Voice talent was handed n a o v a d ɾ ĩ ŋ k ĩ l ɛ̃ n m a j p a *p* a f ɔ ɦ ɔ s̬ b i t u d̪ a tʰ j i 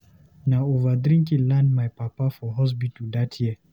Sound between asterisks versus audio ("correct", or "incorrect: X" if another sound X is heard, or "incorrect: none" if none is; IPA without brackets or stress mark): correct